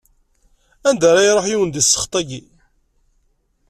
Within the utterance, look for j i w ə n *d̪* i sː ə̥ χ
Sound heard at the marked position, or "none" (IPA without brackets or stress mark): d̪